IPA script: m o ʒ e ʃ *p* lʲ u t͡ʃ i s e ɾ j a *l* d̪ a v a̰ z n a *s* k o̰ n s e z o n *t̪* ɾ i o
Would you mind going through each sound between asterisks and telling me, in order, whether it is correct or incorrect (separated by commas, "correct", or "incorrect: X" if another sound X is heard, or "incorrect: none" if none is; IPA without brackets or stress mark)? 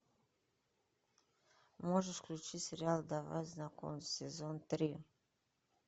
incorrect: k, correct, incorrect: none, correct